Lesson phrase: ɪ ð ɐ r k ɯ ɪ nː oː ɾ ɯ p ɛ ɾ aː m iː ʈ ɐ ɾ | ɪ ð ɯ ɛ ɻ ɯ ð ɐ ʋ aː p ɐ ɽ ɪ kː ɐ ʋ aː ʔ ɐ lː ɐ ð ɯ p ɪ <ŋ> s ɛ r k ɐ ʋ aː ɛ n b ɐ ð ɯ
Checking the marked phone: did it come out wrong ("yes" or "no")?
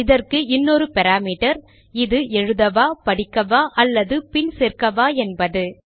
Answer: yes